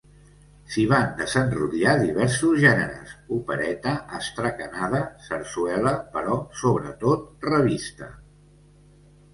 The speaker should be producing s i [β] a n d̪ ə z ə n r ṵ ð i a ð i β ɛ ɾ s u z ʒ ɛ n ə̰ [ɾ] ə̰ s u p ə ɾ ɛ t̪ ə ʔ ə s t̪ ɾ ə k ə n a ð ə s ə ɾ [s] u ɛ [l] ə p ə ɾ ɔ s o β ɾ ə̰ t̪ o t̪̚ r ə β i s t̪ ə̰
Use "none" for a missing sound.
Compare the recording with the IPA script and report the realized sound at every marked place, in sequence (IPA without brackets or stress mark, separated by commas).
β, ɾ, s, l